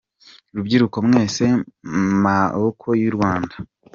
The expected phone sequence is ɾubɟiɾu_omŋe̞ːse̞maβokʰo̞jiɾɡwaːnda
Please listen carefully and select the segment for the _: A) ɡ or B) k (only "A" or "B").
B